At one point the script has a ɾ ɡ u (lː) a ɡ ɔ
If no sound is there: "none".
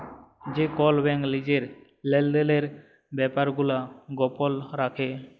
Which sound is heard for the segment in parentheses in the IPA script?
l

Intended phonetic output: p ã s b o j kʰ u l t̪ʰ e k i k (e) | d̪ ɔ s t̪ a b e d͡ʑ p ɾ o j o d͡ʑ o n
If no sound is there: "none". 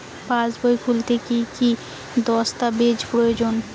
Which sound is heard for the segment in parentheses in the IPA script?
i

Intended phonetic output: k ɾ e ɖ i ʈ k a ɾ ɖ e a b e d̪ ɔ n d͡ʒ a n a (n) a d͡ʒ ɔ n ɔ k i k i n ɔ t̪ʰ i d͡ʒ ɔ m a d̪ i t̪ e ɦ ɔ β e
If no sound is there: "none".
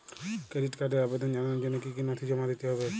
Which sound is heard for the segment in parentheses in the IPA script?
n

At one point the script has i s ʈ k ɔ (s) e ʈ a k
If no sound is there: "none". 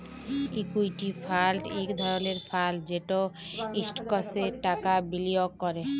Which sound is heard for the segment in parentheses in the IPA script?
s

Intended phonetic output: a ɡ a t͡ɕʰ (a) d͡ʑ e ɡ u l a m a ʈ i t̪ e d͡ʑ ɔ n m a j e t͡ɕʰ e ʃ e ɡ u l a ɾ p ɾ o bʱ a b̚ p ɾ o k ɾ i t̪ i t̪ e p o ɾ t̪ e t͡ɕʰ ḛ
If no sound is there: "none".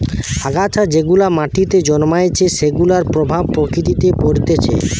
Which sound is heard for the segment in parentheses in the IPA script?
a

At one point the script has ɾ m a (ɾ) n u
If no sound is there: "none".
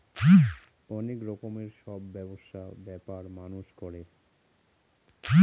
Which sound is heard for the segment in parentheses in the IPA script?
none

